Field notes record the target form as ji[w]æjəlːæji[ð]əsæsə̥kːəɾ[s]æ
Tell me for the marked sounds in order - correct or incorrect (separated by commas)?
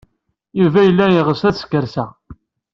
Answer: incorrect, incorrect, correct